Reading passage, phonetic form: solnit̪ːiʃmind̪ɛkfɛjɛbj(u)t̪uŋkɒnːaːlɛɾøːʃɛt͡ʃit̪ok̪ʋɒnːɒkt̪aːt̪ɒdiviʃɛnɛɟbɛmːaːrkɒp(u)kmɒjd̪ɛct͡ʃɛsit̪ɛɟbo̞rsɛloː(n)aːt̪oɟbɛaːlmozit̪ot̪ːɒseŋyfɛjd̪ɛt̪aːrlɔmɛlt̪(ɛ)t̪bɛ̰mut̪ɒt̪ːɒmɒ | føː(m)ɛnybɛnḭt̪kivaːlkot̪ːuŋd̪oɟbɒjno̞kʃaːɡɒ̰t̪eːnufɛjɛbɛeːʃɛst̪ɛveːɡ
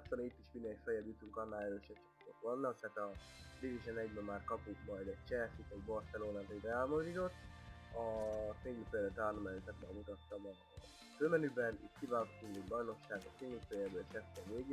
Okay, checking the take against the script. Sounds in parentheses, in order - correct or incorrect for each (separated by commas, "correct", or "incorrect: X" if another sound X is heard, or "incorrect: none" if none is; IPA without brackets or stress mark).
correct, correct, correct, correct, correct